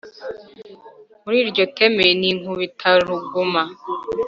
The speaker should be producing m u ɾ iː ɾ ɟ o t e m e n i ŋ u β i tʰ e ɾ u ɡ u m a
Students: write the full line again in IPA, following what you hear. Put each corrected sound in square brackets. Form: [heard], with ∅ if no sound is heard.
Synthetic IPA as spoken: m u ɾ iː ɾ ɟ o t e m e n i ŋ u β i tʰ [a] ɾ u ɡ u m a